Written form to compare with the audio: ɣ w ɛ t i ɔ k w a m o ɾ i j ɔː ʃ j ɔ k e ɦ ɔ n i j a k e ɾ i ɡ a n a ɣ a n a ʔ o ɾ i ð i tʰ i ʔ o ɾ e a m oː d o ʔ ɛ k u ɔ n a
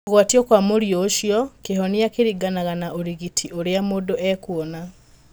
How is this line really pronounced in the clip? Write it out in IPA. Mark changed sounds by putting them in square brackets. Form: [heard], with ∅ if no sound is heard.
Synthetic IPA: ɣ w [a] t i ɔ k w a m o ɾ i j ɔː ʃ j ɔ k e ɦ ɔ n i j a k e ɾ i ɡ a n a ɣ a n a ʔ o ɾ i [ɣ] i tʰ i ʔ o ɾ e a m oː d o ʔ ɛ k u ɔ n a

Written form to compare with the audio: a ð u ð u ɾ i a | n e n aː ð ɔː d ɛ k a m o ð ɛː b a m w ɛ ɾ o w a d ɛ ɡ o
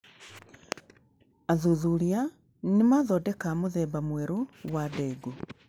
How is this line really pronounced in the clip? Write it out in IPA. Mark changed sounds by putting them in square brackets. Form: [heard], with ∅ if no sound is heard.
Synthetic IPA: a ð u ð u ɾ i a | n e [m] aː ð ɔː d ɛ k a m o ð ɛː b a m w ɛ ɾ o w a d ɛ ɡ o

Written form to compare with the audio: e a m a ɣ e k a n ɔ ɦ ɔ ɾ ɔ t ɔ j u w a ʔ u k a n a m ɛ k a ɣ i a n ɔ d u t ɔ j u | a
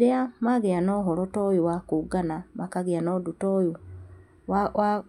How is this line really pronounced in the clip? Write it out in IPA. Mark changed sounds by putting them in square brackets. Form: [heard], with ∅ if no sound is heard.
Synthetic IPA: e a m a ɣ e [∅] a n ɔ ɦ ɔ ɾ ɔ t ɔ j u w a [k] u [ɡ] a n a m [a] k a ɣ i a n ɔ d u t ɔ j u | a

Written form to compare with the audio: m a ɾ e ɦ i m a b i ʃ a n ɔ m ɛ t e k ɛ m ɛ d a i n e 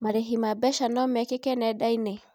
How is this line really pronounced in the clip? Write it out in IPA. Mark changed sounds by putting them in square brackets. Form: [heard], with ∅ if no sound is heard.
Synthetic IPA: m a ɾ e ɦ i m a b [ɛ] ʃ a n ɔ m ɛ [k] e k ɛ [n] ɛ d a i n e

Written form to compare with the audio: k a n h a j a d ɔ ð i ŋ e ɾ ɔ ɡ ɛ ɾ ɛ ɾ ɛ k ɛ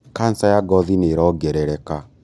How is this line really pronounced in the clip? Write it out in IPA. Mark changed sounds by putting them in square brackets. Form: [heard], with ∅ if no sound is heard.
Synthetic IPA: k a n [s] a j a [ɡ] ɔ ð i [n] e ɾ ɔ ɡ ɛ ɾ ɛ ɾ ɛ k [a]

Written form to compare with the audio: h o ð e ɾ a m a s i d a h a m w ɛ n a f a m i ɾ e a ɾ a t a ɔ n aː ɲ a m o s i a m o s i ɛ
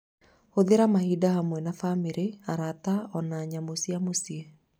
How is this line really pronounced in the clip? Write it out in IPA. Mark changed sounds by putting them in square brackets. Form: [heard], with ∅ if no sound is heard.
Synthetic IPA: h o ð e ɾ a m a [h] i d a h a m w ɛ n a f a m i ɾ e a ɾ a t a ɔ n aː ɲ a m o s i a m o s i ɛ

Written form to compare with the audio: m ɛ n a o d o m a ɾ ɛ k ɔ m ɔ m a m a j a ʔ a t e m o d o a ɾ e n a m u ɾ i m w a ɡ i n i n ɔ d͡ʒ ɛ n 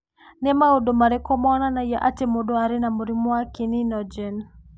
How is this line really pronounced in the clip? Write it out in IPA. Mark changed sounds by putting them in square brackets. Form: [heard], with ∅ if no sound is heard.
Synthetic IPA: [n] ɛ [m] a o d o m a ɾ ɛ k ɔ m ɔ [n] a [n] a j a ʔ a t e m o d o a ɾ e n a m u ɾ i m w a [k] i n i n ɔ d͡ʒ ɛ n

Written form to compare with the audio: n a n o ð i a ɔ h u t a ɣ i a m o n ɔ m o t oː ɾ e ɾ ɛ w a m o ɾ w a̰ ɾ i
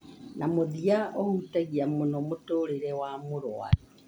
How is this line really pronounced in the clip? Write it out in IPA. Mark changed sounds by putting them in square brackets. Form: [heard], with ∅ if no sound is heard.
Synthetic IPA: n a [m] o ð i a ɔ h u t a ɣ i a m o n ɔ m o t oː ɾ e ɾ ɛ w a m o ɾ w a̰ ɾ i

